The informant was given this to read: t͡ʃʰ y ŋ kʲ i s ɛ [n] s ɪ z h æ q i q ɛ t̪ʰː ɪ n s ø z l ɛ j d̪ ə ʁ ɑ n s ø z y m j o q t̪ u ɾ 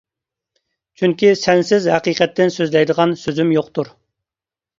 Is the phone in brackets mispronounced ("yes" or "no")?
no